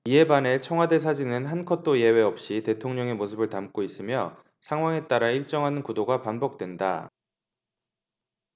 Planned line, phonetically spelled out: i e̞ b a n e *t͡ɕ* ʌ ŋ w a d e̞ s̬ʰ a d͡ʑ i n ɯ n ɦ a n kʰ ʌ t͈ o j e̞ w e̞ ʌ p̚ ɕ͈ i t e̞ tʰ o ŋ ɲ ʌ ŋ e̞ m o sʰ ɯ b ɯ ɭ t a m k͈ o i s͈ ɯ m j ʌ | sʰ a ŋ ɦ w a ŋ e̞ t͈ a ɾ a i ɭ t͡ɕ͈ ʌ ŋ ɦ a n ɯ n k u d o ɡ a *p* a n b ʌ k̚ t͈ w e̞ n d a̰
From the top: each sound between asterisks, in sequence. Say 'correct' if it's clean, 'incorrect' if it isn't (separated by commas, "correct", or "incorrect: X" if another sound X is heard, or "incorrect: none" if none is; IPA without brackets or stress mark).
incorrect: t͡ɕʰ, correct